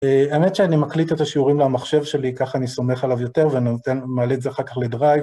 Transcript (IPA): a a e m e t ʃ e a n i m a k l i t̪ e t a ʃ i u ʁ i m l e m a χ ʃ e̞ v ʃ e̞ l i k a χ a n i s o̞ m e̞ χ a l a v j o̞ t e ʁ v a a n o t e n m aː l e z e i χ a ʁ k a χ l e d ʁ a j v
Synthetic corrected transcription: e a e m e t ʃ e a n i m a k l i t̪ e t a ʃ i u ʁ i m l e m a χ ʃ e̞ v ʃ e̞ l i k a χ a n i s o̞ m e̞ χ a l a v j o̞ t e ʁ v e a n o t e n m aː l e z e a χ a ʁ k a χ l e d ʁ a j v